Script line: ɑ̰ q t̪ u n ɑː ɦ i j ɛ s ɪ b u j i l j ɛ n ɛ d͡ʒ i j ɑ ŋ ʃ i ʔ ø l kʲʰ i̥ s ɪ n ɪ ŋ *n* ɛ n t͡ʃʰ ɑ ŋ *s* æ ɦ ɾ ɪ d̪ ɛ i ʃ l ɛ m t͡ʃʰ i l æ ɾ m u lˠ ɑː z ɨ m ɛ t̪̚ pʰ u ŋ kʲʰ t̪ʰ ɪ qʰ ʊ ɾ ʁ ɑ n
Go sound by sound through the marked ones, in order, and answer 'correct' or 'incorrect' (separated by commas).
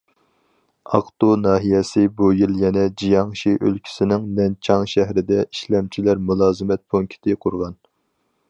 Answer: correct, incorrect